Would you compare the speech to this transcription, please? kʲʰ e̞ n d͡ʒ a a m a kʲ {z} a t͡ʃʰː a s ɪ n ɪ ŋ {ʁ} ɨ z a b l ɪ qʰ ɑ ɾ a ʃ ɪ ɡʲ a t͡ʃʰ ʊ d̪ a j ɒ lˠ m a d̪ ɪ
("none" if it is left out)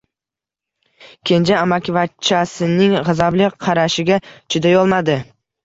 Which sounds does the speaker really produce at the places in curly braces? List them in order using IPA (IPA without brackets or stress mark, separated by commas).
v, ʁ